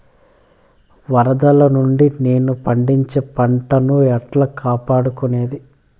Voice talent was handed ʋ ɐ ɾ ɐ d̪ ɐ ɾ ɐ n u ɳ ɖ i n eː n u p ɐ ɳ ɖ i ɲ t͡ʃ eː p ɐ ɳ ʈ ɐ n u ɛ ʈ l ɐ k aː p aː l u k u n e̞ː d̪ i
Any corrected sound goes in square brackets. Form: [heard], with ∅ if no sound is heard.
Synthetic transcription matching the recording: ʋ ɐ ɾ ɐ d̪ ɐ [l] ɐ n u ɳ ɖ i n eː n u p ɐ ɳ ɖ i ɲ t͡ʃ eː p ɐ ɳ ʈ ɐ n u ɛ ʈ l ɐ k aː p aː [ɽ] u k u n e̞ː d̪ i

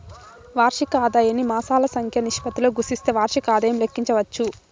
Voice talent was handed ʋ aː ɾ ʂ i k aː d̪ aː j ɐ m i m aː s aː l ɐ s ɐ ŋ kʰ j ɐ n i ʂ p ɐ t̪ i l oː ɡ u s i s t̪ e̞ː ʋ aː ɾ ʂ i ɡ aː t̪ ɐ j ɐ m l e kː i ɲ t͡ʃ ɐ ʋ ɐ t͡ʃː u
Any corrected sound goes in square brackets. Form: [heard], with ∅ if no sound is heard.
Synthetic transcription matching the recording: ʋ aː ɾ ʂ i k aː d̪ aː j ɐ [n] i m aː s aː l ɐ s ɐ ŋ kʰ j ɐ n i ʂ p ɐ t̪ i l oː ɡ u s i s t̪ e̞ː ʋ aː ɾ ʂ i [k] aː [d̪] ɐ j ɐ m l e kː i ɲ t͡ʃ ɐ ʋ ɐ t͡ʃː u

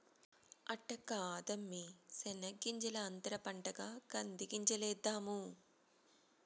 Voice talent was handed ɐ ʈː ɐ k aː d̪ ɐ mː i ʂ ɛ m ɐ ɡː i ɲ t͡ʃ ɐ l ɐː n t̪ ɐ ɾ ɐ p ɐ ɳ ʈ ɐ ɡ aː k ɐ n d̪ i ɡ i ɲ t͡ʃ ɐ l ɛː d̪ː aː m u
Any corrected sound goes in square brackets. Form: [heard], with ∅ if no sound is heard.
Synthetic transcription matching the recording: ɐ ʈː ɐ k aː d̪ ɐ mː i [s] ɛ [n] ɐ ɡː i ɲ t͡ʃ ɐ l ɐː n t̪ ɐ ɾ ɐ p ɐ ɳ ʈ ɐ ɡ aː k ɐ n d̪ i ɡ i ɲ t͡ʃ ɐ l ɛː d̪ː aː m u

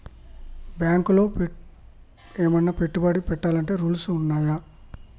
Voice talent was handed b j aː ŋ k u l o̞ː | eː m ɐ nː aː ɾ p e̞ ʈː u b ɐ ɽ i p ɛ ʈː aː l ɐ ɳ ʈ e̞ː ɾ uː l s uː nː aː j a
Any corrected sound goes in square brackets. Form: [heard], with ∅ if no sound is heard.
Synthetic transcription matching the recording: b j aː ŋ k u l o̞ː | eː m ɐ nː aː [∅] p e̞ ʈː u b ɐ ɽ i p ɛ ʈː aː l ɐ ɳ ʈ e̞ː ɾ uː l s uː nː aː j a

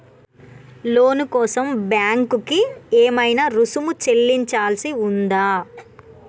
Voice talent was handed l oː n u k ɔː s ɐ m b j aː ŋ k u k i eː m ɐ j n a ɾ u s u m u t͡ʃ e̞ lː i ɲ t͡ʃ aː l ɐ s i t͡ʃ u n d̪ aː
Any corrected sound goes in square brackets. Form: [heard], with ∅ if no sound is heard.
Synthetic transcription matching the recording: l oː n u k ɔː s ɐ m b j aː ŋ k u k i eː m ɐ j n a ɾ u s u m u t͡ʃ e̞ lː i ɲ t͡ʃ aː l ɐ s i [∅] u n d̪ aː

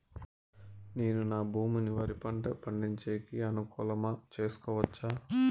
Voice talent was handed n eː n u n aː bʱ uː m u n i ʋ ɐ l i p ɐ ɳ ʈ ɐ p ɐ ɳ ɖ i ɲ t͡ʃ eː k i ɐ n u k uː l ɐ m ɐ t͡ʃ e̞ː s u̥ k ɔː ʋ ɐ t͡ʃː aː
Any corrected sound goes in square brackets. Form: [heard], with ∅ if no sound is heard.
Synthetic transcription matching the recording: n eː n u n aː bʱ uː m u n i ʋ ɐ [ɾ] i p ɐ ɳ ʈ ɐ p ɐ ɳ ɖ i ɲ t͡ʃ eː k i ɐ n u k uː l ɐ m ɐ t͡ʃ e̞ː s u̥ k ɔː ʋ ɐ t͡ʃː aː

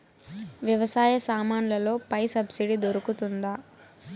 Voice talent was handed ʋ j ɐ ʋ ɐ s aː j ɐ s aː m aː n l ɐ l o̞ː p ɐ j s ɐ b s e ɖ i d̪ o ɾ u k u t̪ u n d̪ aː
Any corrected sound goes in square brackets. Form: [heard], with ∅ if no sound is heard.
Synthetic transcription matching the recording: ʋ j ɐ ʋ ɐ s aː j ɐ s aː m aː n l ɐ l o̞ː p ɐ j s ɐ b s [i] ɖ i d̪ o ɾ u k u t̪ u n d̪ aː

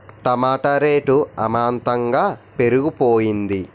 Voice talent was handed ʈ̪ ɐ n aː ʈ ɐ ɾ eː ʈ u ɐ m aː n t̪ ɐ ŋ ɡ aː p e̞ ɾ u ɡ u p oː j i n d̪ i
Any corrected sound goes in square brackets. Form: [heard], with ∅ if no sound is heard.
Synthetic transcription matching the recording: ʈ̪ ɐ [m] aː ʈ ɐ ɾ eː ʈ u ɐ m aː n t̪ ɐ ŋ ɡ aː p e̞ ɾ u ɡ u p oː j i n d̪ i

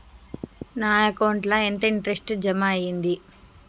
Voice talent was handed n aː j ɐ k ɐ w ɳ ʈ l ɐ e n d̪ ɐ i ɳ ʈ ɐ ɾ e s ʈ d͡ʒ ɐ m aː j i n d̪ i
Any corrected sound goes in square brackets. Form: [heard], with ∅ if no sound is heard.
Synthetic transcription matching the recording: n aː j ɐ k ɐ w ɳ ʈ l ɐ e n [t̪] ɐ i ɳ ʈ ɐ ɾ e s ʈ d͡ʒ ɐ m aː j i n d̪ i

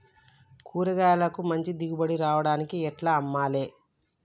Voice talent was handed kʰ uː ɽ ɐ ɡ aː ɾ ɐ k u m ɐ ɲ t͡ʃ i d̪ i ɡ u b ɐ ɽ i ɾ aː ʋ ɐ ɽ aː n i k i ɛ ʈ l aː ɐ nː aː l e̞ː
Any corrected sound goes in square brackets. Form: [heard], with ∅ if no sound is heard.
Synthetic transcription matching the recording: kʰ uː [ɾ] ɐ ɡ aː [l] ɐ k u m ɐ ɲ t͡ʃ i d̪ i ɡ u b ɐ ɽ i ɾ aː ʋ ɐ ɽ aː n i k i ɛ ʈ l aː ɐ [mː] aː l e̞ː

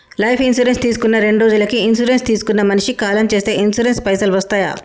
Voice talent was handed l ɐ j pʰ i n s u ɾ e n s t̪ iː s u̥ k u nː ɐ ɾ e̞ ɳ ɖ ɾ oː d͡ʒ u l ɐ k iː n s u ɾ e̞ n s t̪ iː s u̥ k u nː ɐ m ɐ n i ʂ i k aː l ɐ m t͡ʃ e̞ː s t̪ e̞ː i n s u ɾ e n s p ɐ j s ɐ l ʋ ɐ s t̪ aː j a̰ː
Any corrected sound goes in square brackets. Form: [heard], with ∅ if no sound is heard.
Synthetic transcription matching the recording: l ɐ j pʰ i n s u ɾ e n s t̪ iː s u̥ k u nː ɐ ɾ e̞ ɳ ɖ ɾ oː d͡ʒ u l ɐ k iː n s u ɾ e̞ n s t̪ iː s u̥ k u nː ɐ m ɐ n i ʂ i k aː l ɐ m t͡ʃ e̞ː s t̪ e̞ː i n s u ɾ e n s p ɐ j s ɐ l ʋ ɐ s t̪ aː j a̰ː

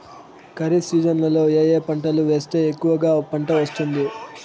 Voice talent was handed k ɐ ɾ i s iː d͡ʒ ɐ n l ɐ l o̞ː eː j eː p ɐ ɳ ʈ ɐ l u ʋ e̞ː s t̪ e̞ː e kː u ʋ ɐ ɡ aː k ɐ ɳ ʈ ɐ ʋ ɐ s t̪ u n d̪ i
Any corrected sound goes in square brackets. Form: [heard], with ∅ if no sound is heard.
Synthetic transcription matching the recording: k ɐ ɾ i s iː d͡ʒ ɐ n l ɐ l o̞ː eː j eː p ɐ ɳ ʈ ɐ l u ʋ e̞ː s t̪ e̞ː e kː u ʋ ɐ ɡ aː [p] ɐ ɳ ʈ ɐ ʋ ɐ s t̪ u n d̪ i

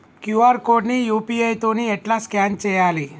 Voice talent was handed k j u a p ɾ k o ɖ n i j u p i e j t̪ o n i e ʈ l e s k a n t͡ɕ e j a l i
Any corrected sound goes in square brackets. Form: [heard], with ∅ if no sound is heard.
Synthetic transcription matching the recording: k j u a [∅] ɾ k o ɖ n i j u p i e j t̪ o n i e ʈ l [a] s k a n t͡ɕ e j a l i

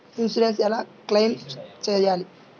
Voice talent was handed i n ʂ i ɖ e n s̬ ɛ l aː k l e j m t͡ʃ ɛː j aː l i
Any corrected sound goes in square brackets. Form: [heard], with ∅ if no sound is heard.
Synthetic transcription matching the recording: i n [s] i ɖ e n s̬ ɛ l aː k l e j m t͡ʃ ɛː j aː l i

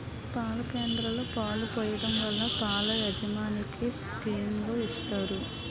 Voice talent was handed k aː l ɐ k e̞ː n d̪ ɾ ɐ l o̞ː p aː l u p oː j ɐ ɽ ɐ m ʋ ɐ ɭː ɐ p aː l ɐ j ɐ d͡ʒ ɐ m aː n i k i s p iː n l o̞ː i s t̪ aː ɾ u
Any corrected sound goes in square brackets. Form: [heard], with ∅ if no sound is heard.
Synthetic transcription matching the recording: [p] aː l ɐ k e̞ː n d̪ ɾ ɐ l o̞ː p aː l u p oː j ɐ ɽ ɐ m ʋ ɐ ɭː ɐ p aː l ɐ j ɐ d͡ʒ ɐ m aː n i k i s [k] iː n l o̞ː i s t̪ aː ɾ u

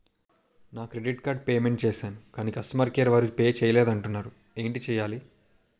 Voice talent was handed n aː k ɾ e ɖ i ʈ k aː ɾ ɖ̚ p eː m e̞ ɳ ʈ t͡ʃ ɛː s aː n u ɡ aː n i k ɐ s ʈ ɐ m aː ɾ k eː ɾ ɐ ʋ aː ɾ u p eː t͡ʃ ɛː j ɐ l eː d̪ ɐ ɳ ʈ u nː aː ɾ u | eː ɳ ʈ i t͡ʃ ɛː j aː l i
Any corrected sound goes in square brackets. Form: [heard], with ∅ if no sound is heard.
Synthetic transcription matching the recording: n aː k ɾ e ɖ i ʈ k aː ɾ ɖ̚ p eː m e̞ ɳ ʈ t͡ʃ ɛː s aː n u [k] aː n i k ɐ s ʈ ɐ m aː ɾ k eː ɾ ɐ ʋ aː ɾ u p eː t͡ʃ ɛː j ɐ l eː d̪ ɐ ɳ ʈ u nː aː ɾ u | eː ɳ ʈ i t͡ʃ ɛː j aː l i

